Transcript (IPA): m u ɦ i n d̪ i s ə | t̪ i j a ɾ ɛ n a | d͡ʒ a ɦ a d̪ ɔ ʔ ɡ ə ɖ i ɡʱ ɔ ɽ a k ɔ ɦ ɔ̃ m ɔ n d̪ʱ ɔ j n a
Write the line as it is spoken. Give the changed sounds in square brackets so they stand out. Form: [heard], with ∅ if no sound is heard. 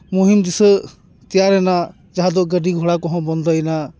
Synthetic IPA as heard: m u ɦ i [m] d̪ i s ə | t̪ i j a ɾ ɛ n a | d͡ʒ a ɦ a d̪ ɔ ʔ ɡ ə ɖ i ɡʱ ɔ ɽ a k ɔ ɦ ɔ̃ [b] ɔ n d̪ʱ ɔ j n a